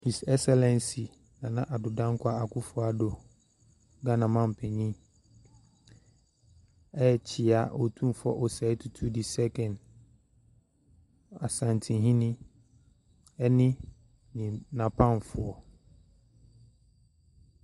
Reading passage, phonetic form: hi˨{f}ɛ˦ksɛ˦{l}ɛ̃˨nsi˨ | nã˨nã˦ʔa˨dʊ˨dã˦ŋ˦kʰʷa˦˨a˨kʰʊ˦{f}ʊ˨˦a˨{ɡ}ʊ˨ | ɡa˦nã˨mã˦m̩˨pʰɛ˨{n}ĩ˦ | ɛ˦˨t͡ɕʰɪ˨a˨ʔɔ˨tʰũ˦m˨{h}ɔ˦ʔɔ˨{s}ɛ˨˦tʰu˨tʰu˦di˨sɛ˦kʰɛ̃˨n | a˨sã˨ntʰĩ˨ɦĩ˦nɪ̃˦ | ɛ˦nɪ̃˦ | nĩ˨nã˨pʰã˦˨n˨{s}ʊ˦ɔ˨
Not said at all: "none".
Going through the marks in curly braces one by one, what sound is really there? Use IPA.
s, l, f, d, ɲ, f, s, f

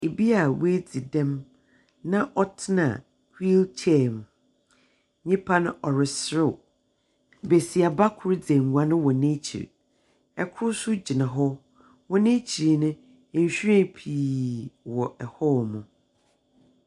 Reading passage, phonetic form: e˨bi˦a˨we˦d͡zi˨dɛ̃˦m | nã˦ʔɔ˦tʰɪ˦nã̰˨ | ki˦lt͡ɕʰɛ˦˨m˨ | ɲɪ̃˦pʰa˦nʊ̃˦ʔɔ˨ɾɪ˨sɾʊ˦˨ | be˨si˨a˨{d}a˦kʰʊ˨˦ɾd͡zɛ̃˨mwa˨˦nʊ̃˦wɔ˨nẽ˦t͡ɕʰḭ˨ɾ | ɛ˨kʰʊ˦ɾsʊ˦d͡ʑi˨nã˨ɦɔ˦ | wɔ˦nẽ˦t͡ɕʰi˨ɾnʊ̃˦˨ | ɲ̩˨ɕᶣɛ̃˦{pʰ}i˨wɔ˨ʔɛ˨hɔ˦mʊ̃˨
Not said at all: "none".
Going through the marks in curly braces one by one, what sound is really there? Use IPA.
b, pʰ

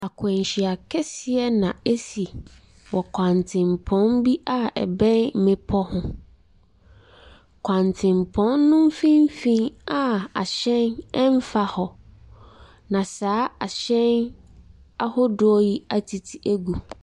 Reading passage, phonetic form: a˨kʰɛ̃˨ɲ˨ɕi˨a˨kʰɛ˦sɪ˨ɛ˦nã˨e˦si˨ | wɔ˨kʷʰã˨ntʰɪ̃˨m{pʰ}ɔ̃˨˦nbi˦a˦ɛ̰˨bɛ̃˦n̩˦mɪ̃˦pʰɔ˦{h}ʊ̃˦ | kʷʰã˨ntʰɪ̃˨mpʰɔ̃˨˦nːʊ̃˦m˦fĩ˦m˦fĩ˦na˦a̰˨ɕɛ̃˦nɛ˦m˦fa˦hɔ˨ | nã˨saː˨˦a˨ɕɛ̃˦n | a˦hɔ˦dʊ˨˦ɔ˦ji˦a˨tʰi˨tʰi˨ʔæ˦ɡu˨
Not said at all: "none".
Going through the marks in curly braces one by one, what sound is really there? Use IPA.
pʰ, h

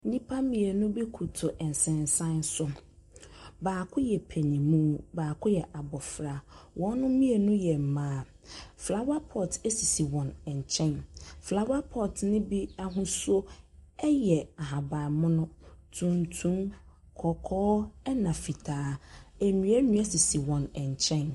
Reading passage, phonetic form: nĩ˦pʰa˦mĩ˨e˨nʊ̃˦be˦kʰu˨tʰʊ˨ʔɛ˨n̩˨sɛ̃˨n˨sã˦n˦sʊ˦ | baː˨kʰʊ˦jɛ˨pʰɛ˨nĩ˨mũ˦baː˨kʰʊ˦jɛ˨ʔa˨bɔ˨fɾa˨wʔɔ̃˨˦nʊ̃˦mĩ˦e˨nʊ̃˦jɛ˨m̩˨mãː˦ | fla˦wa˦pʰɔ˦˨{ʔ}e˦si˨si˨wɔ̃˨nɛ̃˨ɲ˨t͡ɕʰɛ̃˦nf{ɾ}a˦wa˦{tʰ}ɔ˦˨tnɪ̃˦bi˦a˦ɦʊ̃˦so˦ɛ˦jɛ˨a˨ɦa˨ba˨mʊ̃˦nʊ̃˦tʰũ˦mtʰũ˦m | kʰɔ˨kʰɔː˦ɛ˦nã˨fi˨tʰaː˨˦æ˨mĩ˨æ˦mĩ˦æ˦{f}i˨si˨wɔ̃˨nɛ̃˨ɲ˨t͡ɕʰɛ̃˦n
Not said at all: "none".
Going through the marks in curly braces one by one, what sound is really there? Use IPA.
t, l, pʰ, s

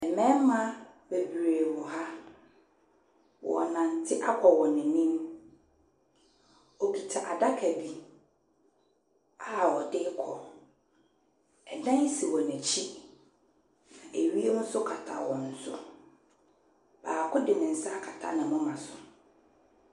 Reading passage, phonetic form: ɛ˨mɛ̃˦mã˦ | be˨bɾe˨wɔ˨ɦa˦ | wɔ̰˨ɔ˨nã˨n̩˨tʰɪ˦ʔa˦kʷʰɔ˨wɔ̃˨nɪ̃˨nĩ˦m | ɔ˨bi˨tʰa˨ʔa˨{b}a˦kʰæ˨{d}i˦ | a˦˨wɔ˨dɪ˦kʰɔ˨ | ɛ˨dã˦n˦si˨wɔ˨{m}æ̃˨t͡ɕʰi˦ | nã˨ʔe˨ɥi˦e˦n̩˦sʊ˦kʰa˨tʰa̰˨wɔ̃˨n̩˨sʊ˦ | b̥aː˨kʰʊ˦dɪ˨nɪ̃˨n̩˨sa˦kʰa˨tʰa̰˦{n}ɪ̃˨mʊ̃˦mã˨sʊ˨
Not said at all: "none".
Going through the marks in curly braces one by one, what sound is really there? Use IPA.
d, b, n, n

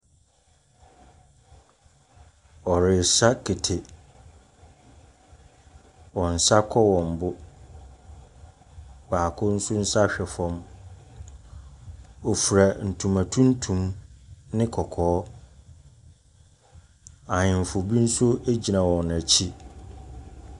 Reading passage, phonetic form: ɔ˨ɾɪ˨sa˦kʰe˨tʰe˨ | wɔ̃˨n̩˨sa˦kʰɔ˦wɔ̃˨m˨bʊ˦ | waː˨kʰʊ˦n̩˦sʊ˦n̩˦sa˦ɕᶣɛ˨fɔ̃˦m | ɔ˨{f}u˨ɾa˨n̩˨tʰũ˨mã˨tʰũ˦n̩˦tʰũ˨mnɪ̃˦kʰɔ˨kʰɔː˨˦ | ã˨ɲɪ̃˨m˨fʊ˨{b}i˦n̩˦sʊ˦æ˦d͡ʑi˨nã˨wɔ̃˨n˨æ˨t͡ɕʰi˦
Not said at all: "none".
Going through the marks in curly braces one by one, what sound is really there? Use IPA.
f, b

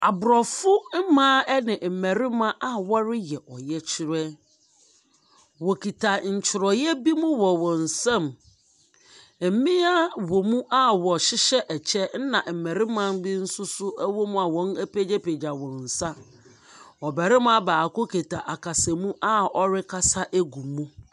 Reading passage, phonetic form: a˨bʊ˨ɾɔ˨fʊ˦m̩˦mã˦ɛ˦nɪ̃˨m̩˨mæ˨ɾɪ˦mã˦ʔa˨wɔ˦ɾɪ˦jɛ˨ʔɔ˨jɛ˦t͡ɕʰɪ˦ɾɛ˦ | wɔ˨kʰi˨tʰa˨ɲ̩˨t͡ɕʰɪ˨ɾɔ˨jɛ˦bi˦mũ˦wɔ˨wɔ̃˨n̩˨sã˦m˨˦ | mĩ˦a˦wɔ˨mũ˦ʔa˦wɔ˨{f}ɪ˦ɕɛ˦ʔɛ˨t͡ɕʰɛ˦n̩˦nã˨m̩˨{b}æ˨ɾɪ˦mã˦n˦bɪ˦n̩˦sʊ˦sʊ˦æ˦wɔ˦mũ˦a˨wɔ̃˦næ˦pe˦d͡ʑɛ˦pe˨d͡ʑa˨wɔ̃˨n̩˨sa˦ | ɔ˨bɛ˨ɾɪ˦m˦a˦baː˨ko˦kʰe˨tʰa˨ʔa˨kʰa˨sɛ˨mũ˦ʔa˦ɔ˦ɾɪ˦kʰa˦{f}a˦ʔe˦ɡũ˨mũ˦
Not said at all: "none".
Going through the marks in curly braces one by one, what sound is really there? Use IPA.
ɕ, m, s

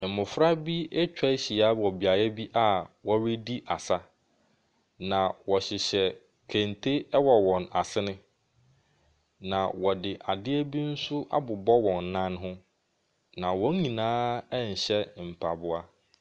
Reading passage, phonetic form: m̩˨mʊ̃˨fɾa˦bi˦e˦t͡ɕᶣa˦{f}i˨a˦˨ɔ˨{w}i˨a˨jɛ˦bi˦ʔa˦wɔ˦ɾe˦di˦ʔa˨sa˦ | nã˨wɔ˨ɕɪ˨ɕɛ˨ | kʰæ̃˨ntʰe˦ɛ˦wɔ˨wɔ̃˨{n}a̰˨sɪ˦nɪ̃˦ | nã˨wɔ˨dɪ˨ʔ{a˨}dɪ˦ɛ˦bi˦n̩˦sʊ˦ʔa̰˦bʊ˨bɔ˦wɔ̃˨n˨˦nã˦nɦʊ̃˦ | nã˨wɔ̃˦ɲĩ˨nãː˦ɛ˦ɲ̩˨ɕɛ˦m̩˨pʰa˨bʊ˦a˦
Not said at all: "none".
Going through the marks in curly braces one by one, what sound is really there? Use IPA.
ɕ, b, n, a˨

